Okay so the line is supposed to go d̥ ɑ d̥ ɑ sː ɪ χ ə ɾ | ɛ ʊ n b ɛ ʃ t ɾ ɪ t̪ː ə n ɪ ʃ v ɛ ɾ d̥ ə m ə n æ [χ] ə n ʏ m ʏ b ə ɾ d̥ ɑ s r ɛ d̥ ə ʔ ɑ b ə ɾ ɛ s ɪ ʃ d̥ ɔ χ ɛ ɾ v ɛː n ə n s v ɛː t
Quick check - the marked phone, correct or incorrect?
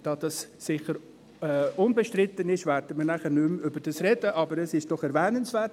correct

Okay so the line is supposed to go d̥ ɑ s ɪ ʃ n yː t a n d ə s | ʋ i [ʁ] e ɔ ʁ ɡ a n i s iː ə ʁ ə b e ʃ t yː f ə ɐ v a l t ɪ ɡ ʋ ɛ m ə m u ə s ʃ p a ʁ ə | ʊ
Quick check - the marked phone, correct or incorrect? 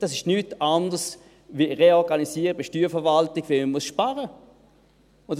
correct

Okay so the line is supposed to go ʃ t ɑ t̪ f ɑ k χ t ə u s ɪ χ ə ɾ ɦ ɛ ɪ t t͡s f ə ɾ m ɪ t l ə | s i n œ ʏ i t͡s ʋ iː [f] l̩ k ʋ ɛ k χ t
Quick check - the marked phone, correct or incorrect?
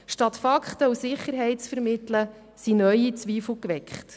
correct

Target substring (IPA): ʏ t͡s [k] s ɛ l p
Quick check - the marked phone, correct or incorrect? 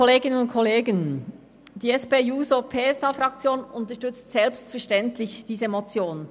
incorrect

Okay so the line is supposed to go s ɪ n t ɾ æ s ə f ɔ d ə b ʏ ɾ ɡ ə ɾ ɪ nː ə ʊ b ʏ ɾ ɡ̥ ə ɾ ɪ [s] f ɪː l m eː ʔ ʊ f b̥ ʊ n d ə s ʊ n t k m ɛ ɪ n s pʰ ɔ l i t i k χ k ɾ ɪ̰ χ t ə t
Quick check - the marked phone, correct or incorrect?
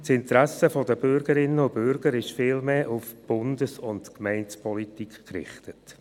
incorrect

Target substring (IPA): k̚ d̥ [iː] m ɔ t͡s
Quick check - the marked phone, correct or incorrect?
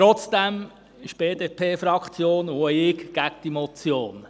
incorrect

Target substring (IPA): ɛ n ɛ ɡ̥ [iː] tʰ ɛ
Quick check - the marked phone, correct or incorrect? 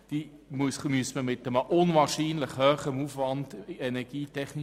correct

